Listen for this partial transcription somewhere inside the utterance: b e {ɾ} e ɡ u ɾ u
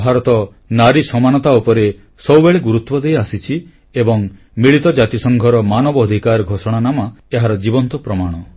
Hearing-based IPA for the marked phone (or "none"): ɭ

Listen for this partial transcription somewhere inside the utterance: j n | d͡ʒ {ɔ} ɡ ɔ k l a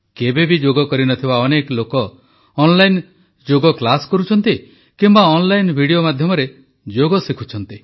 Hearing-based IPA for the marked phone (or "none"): o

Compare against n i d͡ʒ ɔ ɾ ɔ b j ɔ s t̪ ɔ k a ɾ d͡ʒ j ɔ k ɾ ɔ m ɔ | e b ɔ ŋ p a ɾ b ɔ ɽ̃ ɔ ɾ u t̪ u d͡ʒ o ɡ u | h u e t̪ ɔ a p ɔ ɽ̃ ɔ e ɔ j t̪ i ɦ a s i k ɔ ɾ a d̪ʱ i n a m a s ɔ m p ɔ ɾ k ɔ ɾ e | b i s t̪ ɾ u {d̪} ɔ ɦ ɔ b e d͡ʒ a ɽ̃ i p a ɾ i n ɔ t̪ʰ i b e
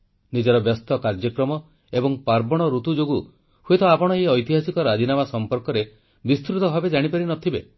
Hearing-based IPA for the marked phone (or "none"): t̪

